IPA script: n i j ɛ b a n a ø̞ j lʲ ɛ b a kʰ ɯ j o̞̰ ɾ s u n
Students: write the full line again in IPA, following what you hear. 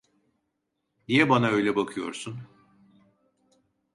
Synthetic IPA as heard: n i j ɛ b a n a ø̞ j lʲ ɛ b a kʰ ɯ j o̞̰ ɾ s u n